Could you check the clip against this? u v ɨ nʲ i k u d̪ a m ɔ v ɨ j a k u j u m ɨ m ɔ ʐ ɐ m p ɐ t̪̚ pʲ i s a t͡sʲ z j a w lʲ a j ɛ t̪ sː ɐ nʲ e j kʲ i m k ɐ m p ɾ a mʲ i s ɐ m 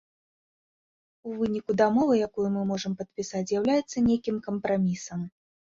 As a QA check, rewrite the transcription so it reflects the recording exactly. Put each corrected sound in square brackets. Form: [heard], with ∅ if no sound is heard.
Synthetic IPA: u v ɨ nʲ i k u d̪ a m ɔ v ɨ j a k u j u m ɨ m ɔ ʐ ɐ m p ɐ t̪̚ pʲ i s a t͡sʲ z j a w lʲ a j ɛ t̪ sː ɐ nʲ e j kʲ i m k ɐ m p ɾ a mʲ i s ɐ m